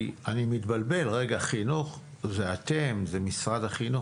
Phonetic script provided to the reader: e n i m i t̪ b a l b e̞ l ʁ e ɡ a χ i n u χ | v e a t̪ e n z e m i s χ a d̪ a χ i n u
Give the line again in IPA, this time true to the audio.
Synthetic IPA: a n i m i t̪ b a l b e̞ l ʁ e ɡ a χ i n u χ | z e a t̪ e m z e m i s ʁ a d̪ a χ i n u

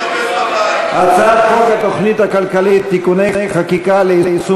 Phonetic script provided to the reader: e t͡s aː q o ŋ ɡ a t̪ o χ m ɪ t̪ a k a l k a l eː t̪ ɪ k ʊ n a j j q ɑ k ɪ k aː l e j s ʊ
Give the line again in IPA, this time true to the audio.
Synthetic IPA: a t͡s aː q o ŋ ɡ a t̪ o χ n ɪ t̪ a k a l k a l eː t̪ ɪ k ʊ n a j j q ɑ k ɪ k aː l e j s ʊ

